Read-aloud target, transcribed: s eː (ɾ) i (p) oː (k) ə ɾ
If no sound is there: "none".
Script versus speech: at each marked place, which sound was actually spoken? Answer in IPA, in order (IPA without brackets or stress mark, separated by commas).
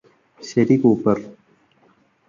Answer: ɾ, k, p